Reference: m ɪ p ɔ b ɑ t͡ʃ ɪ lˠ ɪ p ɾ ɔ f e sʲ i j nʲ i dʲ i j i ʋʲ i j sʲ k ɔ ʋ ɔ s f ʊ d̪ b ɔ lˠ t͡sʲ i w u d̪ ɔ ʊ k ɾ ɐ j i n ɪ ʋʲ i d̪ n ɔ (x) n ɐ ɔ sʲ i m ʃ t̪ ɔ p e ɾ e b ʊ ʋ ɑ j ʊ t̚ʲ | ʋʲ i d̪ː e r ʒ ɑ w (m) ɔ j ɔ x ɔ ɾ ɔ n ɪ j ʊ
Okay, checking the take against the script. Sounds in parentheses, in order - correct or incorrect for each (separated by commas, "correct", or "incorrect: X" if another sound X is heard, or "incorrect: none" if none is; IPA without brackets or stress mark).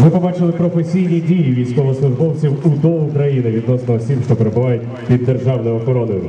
incorrect: s, incorrect: n